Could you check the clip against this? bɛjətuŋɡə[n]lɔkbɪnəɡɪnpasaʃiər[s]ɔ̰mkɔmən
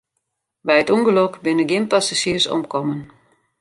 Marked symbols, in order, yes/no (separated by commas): no, yes